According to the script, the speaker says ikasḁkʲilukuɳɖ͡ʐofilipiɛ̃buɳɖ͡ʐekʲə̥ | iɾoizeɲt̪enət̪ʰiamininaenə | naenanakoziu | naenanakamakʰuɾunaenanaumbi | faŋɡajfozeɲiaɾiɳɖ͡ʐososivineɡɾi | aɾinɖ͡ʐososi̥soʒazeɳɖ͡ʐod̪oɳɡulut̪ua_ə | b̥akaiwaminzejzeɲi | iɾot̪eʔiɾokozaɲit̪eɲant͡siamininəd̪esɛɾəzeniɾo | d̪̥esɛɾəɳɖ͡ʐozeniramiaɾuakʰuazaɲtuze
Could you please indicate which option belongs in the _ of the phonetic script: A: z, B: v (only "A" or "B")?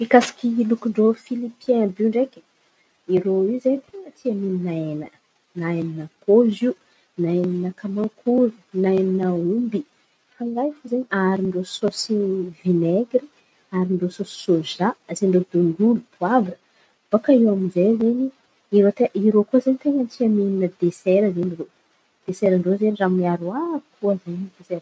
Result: B